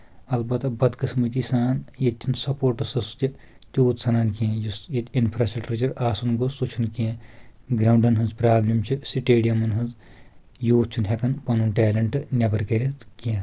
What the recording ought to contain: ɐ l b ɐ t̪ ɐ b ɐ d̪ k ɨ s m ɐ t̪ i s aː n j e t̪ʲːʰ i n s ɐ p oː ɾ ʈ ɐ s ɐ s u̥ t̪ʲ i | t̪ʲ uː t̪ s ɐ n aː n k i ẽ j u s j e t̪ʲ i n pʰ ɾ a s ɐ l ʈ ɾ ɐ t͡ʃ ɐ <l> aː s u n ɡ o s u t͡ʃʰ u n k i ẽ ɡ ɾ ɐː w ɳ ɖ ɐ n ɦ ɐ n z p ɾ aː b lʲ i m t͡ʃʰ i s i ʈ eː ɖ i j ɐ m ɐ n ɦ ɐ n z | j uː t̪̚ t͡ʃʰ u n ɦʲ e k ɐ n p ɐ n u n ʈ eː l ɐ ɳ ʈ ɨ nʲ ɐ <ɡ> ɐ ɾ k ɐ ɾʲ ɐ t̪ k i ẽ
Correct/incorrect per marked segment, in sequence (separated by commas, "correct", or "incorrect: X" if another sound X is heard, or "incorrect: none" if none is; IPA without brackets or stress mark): incorrect: ɾ, incorrect: b